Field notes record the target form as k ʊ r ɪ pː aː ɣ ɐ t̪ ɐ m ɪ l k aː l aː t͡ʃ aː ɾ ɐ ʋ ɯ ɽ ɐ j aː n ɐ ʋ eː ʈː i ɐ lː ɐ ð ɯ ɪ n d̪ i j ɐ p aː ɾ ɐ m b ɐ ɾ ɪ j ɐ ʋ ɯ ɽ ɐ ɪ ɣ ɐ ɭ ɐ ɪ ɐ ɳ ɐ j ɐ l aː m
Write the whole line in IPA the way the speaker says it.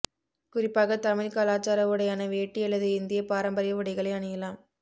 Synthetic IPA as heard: k ʊ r ɪ pː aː ɣ ɐ t̪ ɐ m ɪ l k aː l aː t͡ʃ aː ɾ ɐ ʋ ɯ ɽ ɐ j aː n ɐ ʋ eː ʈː i ɐ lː ɐ ð ɯ ɪ n d̪ ɪ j ɐ p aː ɾ ɐ m b ɐ ɾ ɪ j ɐ ʋ ɯ ɽ ɐ ɪ ɣ ɐ ɭ ɐ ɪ ɐ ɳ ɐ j ɐ l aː m